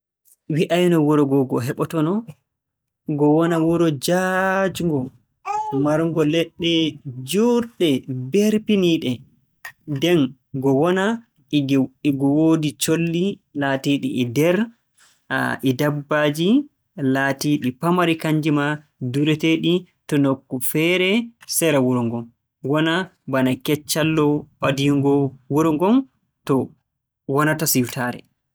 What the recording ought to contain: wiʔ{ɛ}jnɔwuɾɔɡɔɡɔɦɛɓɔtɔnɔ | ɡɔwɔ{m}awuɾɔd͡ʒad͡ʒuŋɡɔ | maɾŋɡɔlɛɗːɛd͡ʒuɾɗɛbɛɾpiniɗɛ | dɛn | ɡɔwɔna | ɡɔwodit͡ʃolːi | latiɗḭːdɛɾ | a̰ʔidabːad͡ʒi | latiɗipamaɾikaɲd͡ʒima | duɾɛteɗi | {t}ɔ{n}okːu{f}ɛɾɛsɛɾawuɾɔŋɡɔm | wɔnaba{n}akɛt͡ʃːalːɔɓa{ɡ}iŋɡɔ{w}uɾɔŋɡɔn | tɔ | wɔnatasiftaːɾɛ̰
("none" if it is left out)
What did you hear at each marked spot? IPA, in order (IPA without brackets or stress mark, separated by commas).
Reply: a, n, t, n, f, n, d, w